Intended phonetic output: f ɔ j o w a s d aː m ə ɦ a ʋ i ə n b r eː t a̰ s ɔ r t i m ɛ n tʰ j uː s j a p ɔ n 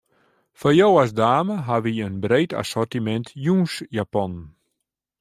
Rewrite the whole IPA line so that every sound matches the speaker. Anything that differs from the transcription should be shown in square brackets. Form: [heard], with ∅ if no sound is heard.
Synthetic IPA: f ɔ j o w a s d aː m ə ɦ a ʋ i ə n b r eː t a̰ s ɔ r t i m ɛ n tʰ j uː s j a p ɔ n